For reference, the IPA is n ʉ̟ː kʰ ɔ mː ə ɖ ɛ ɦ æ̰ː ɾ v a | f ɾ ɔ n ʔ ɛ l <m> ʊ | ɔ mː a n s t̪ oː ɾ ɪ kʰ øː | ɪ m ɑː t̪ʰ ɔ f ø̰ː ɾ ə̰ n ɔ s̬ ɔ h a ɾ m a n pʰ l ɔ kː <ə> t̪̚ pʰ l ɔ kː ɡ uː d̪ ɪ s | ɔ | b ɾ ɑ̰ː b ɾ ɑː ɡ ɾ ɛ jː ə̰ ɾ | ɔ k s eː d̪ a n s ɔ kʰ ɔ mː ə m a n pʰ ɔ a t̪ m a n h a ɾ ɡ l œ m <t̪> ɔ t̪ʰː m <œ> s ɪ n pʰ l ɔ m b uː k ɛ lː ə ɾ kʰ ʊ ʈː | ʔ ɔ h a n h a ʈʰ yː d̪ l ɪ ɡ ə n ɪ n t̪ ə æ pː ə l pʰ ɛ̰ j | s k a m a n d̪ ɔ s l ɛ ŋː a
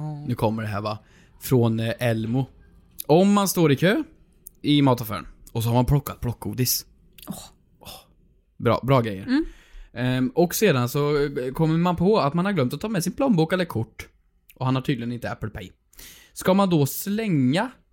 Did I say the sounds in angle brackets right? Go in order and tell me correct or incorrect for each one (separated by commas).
correct, incorrect, correct, incorrect